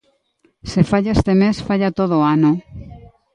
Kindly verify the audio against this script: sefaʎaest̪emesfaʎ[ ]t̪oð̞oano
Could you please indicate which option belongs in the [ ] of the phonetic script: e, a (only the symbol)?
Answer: a